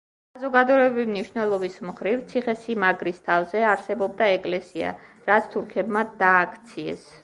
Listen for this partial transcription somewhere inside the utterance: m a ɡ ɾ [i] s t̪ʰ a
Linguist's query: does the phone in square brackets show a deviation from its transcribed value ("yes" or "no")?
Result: no